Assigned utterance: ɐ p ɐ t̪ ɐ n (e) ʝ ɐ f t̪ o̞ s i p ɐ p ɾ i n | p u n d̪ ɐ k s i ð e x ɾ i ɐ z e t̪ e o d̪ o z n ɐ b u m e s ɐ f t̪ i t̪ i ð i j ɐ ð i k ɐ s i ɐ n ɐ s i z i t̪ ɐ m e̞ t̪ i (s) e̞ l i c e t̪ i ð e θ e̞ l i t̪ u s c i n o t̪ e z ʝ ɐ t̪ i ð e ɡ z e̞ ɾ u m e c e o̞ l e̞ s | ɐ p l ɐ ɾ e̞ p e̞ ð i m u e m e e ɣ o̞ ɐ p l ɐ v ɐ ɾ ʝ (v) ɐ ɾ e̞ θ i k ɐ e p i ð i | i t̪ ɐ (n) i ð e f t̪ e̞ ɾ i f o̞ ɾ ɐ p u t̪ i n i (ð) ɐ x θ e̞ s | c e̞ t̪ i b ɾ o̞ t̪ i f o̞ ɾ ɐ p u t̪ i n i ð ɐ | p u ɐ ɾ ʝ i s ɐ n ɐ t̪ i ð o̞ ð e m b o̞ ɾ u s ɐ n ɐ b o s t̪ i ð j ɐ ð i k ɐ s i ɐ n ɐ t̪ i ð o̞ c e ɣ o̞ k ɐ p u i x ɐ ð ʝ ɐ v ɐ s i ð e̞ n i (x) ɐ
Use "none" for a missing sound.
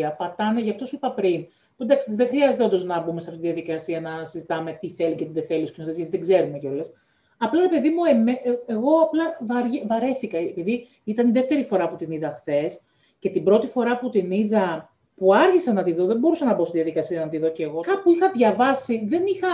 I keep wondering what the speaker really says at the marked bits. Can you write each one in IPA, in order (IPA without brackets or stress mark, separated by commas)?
e, θ, v, n, ð, x